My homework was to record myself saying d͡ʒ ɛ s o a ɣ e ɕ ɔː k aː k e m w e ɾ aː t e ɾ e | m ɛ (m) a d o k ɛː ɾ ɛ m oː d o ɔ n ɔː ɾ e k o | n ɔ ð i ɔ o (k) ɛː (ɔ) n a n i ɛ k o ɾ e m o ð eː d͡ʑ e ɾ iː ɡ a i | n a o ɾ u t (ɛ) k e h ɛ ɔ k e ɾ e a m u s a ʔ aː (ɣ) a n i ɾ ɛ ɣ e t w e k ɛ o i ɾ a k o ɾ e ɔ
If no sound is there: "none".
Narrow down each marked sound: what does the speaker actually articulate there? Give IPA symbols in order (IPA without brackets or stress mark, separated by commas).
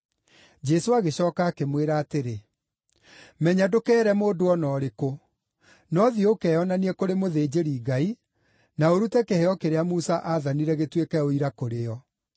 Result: ɲ, k, ɔ, ɛ, ð